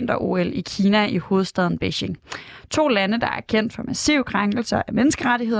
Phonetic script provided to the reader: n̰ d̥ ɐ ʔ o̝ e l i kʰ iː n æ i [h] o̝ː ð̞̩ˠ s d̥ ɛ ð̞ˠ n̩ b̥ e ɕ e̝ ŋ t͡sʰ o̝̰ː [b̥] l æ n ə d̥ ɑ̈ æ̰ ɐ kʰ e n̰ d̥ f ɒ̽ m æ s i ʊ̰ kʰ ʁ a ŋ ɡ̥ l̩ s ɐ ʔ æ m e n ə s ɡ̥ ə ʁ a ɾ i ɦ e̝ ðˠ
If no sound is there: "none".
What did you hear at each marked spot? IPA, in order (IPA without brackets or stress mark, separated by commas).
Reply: h, none